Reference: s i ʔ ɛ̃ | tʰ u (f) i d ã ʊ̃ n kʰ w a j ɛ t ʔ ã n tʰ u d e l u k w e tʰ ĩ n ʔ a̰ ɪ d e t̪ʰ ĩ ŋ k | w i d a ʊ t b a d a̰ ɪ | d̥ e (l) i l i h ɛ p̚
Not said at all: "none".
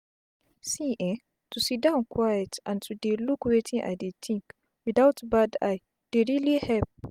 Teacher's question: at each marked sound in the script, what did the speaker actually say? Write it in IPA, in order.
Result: s, ɹ

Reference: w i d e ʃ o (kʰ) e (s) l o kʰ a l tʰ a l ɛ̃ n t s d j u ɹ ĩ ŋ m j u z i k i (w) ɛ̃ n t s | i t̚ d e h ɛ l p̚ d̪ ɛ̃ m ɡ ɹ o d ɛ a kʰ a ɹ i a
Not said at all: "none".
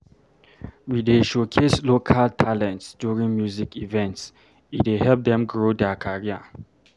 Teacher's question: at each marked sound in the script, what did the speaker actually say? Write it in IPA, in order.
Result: kʰ, s, v

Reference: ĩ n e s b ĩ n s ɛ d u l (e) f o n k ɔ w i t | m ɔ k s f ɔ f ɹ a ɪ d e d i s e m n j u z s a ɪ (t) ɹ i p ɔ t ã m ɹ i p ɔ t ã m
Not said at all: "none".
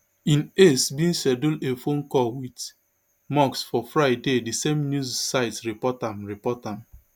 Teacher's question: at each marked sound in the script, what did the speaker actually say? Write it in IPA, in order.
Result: e, t

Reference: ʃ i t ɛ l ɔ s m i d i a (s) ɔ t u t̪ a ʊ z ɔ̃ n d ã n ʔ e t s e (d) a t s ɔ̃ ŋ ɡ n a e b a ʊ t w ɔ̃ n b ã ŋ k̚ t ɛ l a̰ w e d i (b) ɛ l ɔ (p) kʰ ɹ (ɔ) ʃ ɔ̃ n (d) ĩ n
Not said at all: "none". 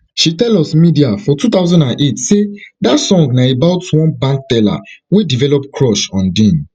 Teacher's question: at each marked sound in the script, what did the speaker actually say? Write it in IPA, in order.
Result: f, d, v, p, ɔ, d

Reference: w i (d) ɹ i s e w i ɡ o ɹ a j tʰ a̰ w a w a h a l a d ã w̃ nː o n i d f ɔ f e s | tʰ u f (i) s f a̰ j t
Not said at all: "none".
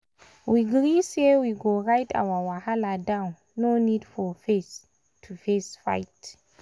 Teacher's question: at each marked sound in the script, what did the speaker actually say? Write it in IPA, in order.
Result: ɡ, e

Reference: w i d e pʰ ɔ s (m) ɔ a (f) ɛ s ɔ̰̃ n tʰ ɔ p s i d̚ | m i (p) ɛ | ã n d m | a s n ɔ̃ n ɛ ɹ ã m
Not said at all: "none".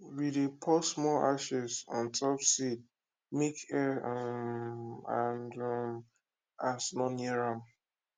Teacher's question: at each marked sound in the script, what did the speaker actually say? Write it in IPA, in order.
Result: m, ʃ, k

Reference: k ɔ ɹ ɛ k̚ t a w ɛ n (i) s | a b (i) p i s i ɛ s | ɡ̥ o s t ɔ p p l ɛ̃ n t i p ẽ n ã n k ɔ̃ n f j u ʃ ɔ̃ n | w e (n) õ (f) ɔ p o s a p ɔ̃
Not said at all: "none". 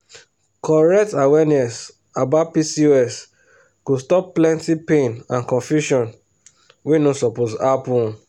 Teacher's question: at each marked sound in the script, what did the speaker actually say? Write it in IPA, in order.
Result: ɛ, a, n, s

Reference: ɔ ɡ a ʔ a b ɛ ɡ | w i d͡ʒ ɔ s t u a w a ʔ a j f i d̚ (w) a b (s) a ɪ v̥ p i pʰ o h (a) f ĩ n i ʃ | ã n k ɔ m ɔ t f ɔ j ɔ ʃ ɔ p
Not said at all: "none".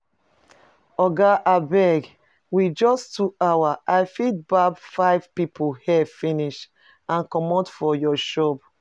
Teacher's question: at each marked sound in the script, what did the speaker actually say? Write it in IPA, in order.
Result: b, f, ɛ

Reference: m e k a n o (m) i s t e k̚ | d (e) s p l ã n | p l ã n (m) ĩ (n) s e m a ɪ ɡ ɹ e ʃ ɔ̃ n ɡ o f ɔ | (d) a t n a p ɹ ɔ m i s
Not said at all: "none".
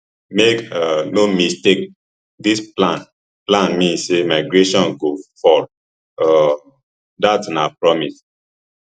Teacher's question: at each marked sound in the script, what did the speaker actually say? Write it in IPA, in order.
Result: m, i, m, n, d

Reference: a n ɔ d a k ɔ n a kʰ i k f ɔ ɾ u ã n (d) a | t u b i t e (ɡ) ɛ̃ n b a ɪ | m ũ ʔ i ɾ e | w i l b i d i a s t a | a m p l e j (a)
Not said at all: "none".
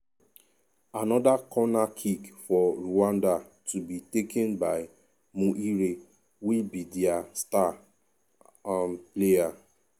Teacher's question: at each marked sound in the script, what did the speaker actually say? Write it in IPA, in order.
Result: d, k, a

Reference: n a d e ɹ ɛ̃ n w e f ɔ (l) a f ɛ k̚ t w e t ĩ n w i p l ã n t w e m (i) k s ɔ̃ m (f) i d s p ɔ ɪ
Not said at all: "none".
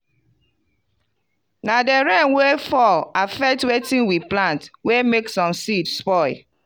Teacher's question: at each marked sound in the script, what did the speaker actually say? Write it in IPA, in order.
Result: l, e, s

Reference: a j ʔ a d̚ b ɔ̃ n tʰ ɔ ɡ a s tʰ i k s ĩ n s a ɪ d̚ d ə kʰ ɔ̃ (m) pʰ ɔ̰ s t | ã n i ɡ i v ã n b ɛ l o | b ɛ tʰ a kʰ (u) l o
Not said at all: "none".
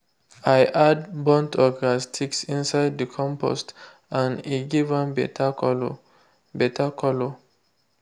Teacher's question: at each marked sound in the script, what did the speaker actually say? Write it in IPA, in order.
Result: m, ɔ

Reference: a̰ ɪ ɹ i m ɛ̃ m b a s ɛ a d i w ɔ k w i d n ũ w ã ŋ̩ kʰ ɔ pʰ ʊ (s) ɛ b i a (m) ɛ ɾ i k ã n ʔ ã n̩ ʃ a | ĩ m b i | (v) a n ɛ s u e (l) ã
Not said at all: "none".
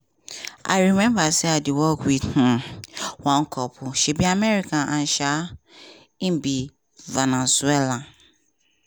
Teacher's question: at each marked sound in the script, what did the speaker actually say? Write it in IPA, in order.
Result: ʃ, m, v, l

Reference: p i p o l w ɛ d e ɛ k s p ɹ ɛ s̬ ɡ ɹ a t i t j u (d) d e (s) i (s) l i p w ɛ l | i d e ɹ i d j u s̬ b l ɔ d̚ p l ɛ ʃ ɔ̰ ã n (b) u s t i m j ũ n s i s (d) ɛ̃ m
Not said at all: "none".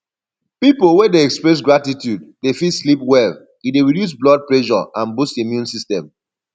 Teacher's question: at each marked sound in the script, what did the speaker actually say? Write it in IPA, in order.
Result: d, f, s, b, t

